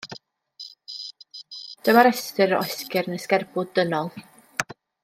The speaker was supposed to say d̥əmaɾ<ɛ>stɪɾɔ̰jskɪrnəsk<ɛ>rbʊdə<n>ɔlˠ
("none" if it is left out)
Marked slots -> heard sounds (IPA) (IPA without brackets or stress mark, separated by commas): ɛ, ɛ, n